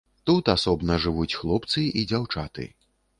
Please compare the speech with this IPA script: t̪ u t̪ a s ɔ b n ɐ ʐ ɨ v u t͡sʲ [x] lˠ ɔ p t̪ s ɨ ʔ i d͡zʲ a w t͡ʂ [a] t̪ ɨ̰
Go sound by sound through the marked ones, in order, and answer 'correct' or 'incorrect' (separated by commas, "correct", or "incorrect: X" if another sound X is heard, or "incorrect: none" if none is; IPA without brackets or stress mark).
correct, correct